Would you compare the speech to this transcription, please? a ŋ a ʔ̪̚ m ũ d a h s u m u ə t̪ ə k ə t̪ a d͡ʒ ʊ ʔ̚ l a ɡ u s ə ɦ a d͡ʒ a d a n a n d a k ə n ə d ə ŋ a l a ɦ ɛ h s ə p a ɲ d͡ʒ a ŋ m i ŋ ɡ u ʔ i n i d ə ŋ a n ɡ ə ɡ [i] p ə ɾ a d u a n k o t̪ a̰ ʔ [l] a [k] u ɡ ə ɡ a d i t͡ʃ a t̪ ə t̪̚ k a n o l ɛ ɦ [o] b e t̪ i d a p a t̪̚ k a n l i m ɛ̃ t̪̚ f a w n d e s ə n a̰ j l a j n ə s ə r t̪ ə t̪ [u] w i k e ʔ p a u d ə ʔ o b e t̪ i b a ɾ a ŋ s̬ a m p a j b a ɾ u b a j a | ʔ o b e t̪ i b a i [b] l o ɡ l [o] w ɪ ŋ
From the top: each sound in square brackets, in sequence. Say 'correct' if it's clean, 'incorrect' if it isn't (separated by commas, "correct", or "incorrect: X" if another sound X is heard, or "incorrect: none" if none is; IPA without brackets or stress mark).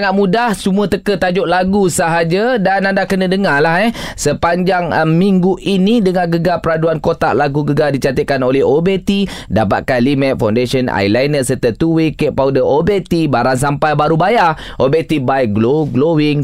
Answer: incorrect: a, correct, incorrect: ɡ, correct, correct, incorrect: ɡ, correct